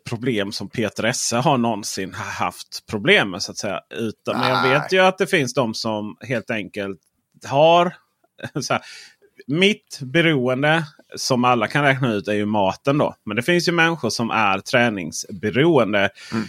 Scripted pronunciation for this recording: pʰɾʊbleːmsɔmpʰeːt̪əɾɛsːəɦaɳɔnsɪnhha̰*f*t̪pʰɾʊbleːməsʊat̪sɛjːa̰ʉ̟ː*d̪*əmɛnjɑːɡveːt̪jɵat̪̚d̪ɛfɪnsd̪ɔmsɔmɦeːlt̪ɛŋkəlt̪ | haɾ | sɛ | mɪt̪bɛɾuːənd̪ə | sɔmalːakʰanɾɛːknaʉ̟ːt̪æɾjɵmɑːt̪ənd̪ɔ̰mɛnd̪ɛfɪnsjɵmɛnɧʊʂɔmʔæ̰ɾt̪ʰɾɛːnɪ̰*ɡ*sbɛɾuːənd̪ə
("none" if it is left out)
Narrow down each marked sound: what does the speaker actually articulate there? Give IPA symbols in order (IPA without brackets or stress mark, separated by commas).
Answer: f, t̪, ŋ